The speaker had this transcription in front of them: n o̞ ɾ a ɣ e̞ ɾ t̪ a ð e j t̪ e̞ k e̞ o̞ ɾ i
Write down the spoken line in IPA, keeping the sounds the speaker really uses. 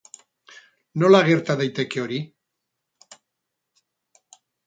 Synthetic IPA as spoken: n o̞ l a ɣ e̞ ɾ t̪ a ð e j t̪ e̞ k e̞ o̞ ɾ i